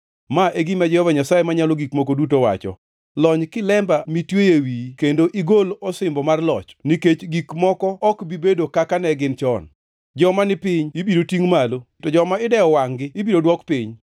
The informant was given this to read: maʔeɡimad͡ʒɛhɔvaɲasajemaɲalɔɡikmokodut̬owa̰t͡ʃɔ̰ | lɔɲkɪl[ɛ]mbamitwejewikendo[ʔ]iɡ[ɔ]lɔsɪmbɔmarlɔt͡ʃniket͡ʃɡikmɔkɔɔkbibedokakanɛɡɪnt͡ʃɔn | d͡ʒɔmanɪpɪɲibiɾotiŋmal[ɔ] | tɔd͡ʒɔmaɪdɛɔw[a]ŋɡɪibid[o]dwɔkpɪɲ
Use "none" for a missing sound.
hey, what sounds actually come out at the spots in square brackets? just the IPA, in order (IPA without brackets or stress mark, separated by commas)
ɛ, ʔ, o, o, a, o